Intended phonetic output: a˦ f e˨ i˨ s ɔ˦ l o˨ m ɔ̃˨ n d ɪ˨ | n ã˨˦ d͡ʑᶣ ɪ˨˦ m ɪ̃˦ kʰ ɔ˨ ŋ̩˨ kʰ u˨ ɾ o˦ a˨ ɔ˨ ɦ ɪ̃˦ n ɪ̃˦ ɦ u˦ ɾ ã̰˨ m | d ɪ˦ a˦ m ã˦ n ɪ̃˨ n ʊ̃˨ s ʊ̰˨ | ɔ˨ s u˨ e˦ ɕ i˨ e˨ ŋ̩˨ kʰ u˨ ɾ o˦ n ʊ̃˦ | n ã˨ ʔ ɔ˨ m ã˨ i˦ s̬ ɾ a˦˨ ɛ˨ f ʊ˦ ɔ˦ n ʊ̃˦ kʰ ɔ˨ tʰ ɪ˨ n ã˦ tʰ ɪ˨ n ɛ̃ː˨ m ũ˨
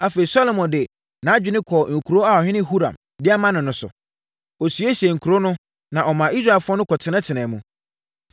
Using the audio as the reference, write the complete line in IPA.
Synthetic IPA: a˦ f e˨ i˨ s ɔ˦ l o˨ m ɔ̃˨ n d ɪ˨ | n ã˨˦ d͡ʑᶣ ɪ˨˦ n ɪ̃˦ kʰ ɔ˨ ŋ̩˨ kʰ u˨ ɾ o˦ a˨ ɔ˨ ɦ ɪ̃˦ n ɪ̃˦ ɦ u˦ ɾ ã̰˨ m | d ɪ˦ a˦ m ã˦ n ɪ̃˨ n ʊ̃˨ s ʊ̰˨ | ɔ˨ s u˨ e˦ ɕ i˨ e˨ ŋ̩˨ kʰ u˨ ɾ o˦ n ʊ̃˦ | n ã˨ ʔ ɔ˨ m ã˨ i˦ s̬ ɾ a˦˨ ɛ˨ f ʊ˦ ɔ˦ n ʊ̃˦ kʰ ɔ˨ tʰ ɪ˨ n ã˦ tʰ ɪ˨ n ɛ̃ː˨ m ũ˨